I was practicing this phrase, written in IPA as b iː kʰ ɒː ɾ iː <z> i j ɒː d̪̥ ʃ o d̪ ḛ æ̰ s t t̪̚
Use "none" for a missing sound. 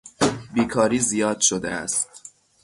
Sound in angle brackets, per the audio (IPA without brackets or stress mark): z